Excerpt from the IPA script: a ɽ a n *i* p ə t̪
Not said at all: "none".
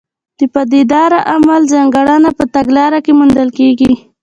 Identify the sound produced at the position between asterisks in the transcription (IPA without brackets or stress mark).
a